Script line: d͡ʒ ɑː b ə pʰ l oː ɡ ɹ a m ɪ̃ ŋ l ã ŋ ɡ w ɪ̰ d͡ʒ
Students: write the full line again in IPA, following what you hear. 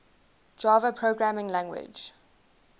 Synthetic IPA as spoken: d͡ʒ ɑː v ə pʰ ɹ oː ɡ ɹ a m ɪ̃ ŋ l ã ŋ ɡ w ɪ̰ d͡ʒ